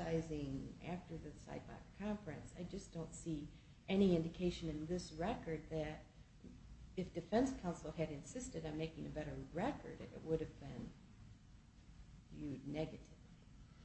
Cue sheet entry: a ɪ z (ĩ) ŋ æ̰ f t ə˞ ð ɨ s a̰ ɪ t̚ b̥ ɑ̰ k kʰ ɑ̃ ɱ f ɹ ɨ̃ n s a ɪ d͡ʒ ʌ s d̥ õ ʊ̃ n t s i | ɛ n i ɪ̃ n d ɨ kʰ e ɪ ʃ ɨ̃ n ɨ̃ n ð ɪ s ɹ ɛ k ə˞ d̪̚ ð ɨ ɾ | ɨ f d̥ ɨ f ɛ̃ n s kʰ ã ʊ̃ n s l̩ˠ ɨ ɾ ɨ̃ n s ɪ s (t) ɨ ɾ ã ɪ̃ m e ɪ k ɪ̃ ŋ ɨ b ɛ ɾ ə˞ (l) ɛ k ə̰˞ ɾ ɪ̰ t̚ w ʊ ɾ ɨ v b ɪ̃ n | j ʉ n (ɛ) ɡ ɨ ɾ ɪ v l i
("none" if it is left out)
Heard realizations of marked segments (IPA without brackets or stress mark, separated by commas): ɪ̃, t, ɹ, ɛ